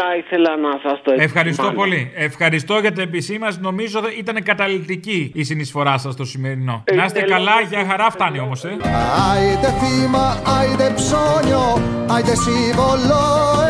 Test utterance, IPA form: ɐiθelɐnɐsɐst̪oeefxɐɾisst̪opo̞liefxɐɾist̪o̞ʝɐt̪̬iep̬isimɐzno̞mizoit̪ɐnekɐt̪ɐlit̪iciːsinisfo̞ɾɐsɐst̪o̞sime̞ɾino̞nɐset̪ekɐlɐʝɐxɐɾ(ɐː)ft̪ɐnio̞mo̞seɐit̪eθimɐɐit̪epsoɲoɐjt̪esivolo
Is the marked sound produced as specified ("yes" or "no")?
no